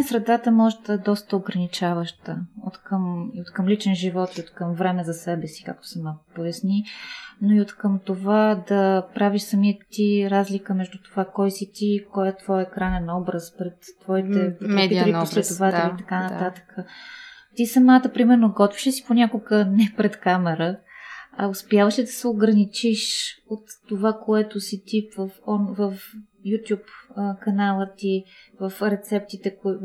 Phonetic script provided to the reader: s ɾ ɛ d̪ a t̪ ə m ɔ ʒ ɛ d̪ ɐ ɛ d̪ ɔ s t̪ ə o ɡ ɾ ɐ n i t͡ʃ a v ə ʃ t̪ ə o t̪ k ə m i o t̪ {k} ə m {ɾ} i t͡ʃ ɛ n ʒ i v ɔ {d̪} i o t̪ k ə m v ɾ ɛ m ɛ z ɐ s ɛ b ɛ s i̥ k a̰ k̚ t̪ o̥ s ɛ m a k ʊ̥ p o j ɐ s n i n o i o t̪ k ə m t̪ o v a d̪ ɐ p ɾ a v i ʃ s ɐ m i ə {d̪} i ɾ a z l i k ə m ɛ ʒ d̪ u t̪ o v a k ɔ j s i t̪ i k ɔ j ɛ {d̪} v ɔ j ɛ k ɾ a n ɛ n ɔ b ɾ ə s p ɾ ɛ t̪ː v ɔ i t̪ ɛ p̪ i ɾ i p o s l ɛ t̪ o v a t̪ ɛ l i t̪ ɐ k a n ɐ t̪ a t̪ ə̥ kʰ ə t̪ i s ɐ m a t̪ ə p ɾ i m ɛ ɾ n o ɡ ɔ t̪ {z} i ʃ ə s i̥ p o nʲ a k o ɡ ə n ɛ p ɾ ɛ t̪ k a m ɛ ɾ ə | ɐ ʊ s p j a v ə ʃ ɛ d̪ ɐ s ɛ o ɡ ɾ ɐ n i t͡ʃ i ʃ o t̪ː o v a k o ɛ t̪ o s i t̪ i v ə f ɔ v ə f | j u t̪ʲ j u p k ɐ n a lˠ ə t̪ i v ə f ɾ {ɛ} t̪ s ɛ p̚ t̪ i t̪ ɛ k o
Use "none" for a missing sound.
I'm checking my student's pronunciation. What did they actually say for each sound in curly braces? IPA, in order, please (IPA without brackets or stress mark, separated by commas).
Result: k, l, t̪, t̪, t̪, v, ɛ